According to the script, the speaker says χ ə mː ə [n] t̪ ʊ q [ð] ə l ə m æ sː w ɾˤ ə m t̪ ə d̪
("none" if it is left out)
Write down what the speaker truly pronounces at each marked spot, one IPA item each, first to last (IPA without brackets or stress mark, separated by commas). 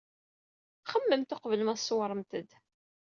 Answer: m, v